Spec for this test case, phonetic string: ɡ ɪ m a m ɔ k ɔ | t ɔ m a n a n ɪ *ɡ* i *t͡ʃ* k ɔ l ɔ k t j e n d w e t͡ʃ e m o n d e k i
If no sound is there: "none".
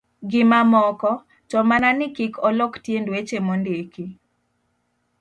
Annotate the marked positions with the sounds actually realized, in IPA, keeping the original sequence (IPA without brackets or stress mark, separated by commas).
k, none